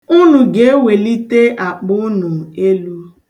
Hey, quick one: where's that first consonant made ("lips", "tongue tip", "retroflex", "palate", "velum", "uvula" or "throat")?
tongue tip